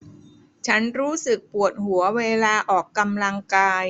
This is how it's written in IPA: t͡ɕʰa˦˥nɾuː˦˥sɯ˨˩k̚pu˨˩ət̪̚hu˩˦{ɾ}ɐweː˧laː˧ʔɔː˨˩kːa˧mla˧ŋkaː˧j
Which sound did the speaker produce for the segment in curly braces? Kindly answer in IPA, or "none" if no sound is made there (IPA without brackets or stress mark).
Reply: none